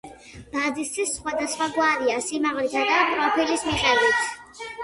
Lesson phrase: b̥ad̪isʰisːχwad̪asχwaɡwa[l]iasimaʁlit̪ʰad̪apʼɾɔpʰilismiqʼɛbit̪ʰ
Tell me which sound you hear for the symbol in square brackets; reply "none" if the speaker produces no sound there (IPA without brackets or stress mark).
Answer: ɾ